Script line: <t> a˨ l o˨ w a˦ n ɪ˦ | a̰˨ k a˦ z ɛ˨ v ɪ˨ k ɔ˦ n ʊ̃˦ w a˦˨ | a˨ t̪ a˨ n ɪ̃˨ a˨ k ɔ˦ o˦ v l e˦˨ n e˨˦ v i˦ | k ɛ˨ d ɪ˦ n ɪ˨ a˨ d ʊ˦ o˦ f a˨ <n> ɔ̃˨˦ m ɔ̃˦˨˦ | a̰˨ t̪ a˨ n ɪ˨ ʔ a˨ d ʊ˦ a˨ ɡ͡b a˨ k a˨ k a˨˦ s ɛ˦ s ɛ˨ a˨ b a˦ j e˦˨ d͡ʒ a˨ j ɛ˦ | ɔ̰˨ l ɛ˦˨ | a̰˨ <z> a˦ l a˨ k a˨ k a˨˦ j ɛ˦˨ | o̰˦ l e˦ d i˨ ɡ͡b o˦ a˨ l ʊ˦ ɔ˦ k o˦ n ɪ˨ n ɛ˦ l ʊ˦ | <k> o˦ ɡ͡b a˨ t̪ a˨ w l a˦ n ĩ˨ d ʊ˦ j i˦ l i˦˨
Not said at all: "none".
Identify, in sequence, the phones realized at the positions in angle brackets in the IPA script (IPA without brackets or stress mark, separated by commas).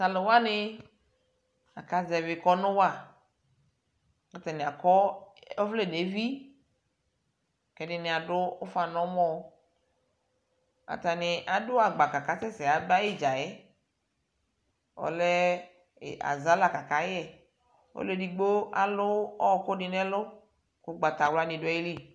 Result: s, n, z, k